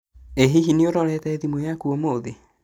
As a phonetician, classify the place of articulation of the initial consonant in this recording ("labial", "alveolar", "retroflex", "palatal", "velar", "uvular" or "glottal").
glottal